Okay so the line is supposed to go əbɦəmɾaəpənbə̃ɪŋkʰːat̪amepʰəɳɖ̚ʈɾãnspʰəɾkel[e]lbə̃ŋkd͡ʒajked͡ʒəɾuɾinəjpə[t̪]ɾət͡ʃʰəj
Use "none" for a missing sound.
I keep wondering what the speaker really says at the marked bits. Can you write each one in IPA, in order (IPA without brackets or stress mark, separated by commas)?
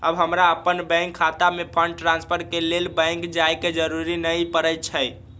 e, none